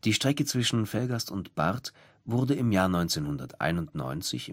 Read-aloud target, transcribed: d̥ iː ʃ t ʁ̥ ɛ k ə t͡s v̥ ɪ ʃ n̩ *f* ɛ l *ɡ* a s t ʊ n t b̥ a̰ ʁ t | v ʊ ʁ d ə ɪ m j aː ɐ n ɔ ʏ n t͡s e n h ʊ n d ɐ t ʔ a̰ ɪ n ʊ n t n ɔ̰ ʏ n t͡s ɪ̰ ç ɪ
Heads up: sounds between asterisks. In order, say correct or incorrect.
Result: correct, correct

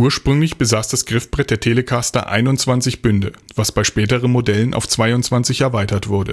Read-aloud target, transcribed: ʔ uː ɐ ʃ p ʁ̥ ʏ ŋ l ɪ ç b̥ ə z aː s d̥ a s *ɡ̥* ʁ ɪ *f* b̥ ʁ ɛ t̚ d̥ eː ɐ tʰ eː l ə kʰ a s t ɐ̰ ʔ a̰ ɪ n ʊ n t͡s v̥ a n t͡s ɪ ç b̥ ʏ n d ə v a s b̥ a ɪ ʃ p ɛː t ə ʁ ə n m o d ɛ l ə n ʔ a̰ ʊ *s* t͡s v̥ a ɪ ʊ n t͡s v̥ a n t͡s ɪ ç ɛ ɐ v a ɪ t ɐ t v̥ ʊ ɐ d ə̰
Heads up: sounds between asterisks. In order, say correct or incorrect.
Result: correct, correct, incorrect

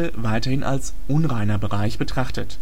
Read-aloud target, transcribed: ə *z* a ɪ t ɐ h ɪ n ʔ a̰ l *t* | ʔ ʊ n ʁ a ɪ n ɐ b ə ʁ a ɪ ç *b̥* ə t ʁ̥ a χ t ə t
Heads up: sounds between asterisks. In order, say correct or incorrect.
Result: incorrect, incorrect, correct

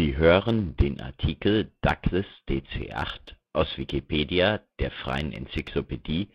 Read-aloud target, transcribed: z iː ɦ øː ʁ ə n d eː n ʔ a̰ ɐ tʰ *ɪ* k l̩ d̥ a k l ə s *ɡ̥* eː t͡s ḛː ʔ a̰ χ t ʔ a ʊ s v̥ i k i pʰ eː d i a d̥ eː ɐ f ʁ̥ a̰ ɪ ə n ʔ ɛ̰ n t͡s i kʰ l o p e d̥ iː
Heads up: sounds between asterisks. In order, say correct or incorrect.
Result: incorrect, incorrect

